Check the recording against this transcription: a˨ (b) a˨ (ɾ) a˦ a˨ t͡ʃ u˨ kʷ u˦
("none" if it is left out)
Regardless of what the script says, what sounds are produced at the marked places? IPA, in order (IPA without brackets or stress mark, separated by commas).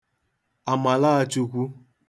m, l